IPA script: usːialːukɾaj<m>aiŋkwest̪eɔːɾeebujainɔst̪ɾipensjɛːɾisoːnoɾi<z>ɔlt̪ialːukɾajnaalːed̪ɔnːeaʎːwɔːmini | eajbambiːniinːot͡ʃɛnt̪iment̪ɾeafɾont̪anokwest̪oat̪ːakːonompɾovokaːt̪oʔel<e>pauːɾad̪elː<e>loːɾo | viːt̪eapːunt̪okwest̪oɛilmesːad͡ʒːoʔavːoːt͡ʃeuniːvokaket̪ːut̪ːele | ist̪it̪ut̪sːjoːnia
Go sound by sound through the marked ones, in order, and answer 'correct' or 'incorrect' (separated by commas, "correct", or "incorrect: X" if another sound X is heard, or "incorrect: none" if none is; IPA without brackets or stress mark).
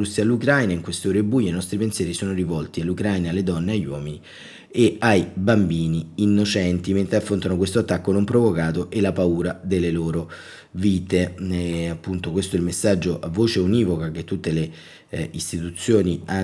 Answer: incorrect: n, incorrect: v, incorrect: a, correct